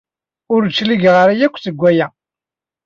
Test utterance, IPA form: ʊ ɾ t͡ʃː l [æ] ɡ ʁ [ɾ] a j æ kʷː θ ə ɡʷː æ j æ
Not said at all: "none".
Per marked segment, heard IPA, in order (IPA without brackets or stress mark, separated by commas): i, ɾ